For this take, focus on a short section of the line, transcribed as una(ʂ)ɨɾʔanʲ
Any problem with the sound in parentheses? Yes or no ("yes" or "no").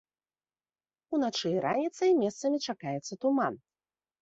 yes